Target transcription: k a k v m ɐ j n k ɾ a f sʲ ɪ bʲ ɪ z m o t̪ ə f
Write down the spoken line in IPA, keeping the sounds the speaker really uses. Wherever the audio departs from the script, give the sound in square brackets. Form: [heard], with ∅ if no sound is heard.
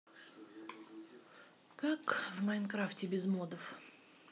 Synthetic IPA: k a k v m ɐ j n k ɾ a f [tʲ] ɪ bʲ ɪ z m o [d̪] ə f